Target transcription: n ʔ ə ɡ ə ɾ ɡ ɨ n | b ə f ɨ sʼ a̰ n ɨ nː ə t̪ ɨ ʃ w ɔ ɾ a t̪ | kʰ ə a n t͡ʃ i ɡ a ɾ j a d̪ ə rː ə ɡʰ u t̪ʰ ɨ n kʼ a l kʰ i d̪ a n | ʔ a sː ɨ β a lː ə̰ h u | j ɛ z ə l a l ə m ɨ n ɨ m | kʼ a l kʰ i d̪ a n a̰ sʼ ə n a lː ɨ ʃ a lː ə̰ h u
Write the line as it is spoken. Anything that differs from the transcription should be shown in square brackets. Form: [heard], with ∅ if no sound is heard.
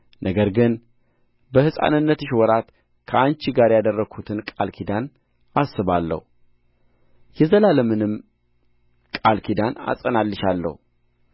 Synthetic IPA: n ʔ ə ɡ ə ɾ ɡ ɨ n | b ə [h] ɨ sʼ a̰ n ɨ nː ə t̪ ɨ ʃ w ɔ ɾ a t̪ | kʰ ə a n t͡ʃ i ɡ a ɾ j a d̪ ə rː ə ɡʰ u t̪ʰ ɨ n kʼ a l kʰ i d̪ a n | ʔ a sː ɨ β a lː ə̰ h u | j ɛ z ə l a l ə m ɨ n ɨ m | kʼ a l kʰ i d̪ a n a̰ sʼ ə n a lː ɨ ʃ a lː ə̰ h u